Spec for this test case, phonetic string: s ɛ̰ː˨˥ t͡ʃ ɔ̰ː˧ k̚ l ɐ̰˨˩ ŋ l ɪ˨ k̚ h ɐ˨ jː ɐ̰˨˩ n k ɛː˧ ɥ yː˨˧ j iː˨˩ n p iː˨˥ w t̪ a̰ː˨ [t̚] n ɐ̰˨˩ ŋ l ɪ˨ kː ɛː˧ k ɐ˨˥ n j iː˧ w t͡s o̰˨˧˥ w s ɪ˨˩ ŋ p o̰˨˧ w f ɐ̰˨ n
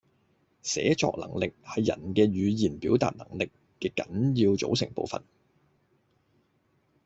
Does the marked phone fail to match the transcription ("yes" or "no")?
no